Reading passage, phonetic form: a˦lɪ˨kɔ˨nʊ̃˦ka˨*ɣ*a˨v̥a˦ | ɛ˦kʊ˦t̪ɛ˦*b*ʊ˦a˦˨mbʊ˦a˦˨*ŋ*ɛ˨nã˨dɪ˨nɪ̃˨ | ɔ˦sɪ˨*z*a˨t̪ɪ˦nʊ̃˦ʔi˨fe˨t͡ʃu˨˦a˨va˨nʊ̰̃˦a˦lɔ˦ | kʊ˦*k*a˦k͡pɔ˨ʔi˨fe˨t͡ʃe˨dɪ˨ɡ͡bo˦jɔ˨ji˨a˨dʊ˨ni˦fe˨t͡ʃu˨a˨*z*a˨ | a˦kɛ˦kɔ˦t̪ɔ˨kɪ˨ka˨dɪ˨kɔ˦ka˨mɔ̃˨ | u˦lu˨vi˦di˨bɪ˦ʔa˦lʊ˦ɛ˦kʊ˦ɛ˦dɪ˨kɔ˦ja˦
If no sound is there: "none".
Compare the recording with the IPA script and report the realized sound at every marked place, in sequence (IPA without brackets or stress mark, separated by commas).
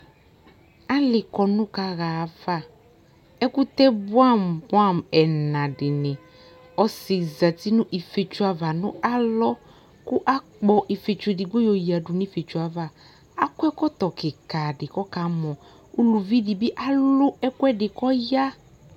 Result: ɣ, b, m, z, ʔ, v